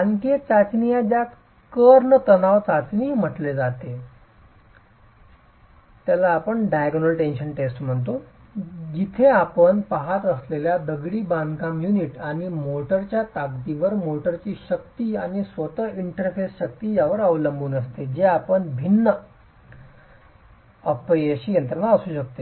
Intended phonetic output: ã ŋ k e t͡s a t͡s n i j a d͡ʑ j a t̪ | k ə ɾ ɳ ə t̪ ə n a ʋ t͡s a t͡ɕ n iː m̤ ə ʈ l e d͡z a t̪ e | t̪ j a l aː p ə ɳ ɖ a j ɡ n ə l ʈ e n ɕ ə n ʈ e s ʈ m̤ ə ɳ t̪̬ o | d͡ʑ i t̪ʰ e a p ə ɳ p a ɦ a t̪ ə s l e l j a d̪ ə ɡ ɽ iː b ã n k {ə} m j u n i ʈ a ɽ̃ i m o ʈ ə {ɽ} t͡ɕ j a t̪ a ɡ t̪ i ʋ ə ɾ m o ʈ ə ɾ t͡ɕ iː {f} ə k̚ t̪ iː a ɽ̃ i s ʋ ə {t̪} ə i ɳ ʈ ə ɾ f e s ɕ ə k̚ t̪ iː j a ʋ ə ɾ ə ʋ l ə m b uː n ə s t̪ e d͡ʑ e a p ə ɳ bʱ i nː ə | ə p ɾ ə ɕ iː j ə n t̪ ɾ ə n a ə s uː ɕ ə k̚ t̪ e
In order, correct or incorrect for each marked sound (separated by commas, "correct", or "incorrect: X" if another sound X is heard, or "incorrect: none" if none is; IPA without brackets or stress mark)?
incorrect: a, incorrect: ɾ, incorrect: ɕ, correct